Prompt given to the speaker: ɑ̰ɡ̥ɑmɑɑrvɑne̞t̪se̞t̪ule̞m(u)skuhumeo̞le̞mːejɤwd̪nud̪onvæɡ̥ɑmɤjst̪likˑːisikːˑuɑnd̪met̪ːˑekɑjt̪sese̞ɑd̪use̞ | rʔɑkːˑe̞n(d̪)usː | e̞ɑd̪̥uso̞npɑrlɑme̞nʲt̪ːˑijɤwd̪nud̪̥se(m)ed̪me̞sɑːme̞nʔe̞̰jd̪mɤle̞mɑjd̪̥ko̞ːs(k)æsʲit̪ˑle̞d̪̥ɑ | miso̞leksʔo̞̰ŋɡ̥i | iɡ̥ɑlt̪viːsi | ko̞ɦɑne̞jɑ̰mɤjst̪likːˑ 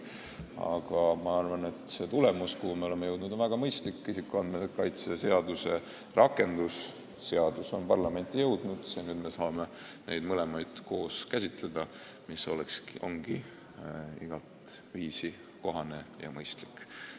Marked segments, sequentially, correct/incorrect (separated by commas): correct, correct, incorrect, correct